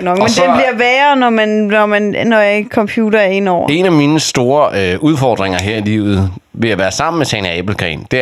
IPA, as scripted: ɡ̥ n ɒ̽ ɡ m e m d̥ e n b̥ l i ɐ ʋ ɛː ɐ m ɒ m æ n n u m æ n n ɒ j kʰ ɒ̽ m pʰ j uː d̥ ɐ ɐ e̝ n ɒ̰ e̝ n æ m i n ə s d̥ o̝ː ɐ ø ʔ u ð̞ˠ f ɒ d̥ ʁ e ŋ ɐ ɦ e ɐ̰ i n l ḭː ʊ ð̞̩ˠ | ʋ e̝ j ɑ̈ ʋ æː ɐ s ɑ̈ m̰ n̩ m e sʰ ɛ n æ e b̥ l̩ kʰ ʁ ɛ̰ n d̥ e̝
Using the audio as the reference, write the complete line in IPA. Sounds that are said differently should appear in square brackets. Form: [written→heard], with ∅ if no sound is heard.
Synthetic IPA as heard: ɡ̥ n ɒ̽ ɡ m e [m→n] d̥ e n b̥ l i ɐ ʋ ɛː ɐ [m→n] ɒ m æ n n [u→ɒ] m æ n n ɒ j kʰ ɒ̽ m pʰ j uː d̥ ɐ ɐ e̝ n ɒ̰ e̝ n æ m i n ə s d̥ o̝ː ɐ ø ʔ u ð̞ˠ f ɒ d̥ ʁ e ŋ ɐ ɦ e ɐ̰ i [n→∅] l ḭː ʊ ð̞̩ˠ | ʋ e̝ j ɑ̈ ʋ æː ɐ s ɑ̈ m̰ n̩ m e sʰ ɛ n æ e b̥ l̩ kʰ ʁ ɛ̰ n d̥ e̝